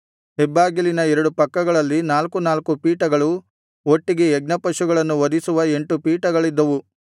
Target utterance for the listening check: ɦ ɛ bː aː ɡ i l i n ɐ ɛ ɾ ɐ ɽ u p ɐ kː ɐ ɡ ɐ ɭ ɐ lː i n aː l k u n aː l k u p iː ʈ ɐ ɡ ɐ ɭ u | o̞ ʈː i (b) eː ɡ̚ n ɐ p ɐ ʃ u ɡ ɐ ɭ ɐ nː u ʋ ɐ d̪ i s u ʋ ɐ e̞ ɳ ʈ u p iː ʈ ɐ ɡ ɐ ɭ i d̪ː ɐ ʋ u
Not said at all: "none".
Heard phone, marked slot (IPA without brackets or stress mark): ɡ